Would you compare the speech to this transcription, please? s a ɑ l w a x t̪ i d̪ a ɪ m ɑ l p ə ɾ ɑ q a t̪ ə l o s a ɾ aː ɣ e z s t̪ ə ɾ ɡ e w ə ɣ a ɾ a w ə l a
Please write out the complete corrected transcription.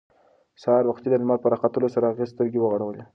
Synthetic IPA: s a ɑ ɾ w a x t̪ i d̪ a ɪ m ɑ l p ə ɾ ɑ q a t̪ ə l o s a ɾ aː ɣ e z s t̪ ə ɾ ɡ e w ə ɣ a ɽ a w ə l e